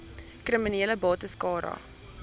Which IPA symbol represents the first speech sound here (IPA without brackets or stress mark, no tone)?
k